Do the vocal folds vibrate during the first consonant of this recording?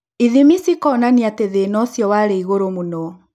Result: yes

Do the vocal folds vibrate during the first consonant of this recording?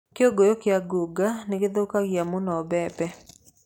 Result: no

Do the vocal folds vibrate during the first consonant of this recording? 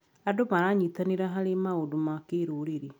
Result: yes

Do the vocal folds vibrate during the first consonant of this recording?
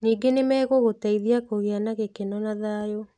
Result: yes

